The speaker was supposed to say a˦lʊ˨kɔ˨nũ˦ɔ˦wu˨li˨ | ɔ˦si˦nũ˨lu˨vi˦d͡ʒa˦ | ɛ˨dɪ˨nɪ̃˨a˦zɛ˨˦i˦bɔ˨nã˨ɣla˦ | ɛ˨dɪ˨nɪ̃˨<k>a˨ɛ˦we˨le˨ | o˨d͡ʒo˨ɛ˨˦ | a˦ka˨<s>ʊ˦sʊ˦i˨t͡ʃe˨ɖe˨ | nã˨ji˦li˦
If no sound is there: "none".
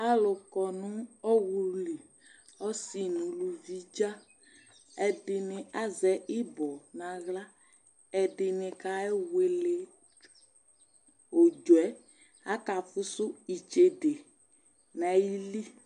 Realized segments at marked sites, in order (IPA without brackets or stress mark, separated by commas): k, f